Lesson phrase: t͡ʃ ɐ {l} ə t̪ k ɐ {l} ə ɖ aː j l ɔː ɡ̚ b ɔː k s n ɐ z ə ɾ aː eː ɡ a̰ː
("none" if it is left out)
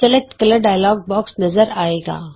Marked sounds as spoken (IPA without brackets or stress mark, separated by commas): l, l